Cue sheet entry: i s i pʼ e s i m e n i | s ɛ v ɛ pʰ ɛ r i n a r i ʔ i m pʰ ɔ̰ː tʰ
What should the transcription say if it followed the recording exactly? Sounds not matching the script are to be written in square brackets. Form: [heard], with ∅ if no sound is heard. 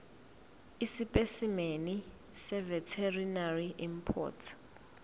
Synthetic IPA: i s i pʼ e s i m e n i | s ɛ v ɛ [tʰ] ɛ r i n a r i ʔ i m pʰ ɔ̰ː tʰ

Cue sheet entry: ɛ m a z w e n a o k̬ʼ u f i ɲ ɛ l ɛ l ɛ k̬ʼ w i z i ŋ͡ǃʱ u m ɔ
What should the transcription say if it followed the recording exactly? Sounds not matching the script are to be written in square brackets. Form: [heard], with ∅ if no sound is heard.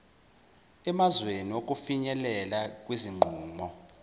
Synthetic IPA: ɛ m a z w e n [i] o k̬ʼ u f i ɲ ɛ l ɛ l [a] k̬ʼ w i z i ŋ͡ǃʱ [uː] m ɔ

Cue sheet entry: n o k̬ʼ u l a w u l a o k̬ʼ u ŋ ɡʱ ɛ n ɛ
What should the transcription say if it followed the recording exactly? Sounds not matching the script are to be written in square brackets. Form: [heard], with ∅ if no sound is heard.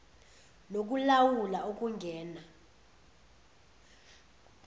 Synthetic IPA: n o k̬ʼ u l a w u l a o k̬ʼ u ŋ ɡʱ [ɛː] n [a]

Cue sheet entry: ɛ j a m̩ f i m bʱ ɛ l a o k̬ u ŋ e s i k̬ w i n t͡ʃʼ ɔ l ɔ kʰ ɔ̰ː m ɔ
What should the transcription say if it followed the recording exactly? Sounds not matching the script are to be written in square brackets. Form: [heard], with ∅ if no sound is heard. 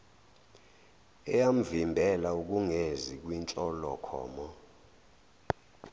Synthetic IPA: ɛ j a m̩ [v] i m bʱ ɛ l a [u] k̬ u ŋ e [z] i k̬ w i n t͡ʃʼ ɔ l ɔ kʰ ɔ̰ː m ɔ

